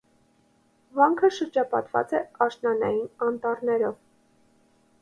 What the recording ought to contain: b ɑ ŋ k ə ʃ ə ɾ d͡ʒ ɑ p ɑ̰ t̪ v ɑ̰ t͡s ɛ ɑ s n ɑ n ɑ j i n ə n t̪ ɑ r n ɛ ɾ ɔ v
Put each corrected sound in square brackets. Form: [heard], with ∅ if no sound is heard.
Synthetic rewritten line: [v] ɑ ŋ [kʰ] ə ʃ ə ɾ d͡ʒ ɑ p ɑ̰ t̪ v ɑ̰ t͡s ɛ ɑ [ʃ] n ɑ n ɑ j i n [ɑ] n t̪ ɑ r n ɛ ɾ ɔ v